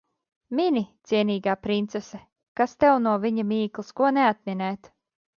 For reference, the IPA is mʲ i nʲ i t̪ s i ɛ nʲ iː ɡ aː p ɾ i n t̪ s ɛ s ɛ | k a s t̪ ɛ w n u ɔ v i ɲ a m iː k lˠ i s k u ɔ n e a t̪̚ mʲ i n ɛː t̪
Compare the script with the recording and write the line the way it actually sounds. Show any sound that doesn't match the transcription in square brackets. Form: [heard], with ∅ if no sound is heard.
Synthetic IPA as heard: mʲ i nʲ i t̪ s i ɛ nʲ iː ɡ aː p ɾ i n t̪ s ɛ s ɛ | k a s t̪ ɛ w n u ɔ v i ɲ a m iː k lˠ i s k u ɔ n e a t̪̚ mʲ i n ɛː t̪